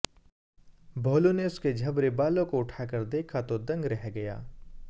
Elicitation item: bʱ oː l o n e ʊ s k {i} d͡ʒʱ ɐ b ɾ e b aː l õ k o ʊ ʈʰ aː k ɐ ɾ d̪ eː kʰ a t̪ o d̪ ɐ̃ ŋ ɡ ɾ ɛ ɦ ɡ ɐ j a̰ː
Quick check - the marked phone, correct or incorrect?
incorrect: e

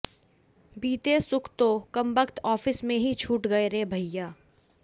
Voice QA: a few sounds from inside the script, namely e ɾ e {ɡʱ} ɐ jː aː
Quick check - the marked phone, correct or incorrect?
incorrect: bʱ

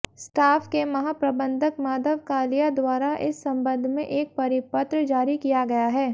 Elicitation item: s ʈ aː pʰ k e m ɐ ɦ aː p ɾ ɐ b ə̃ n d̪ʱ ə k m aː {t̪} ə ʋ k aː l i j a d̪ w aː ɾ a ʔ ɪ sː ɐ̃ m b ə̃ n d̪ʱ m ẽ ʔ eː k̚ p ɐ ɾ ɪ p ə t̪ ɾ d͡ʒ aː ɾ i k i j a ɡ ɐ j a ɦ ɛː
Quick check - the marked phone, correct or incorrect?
incorrect: d̪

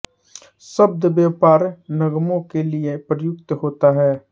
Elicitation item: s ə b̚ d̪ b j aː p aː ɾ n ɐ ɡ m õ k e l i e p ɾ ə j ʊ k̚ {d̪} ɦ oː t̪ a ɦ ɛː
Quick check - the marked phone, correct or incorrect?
incorrect: t̪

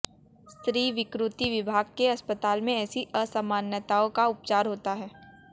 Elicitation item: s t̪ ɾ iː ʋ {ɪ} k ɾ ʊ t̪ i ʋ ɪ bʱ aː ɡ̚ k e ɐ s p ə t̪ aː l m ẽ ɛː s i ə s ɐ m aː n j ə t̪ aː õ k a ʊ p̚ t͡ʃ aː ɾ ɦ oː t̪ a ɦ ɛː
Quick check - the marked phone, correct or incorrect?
correct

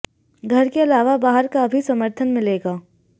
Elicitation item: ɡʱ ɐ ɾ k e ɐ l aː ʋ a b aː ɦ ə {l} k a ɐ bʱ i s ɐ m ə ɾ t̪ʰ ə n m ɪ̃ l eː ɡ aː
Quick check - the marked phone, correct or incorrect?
incorrect: ɾ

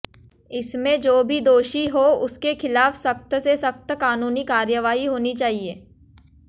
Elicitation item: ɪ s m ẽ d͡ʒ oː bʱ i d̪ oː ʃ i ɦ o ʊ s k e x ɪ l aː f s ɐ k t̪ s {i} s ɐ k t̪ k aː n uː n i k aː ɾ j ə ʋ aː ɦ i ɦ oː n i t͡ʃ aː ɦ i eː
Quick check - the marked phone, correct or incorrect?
incorrect: e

